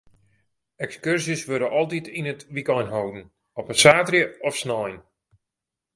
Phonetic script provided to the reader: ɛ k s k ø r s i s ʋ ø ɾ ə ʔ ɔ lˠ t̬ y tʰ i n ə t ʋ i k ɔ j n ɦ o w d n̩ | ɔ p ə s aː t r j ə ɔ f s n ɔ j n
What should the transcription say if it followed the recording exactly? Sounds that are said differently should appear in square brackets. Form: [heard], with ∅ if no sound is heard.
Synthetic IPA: ɛ k s k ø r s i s ʋ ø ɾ ə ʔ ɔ lˠ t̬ [i] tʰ i n ə t ʋ i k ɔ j n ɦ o w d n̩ | ɔ p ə s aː t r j ə ɔ f s n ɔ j n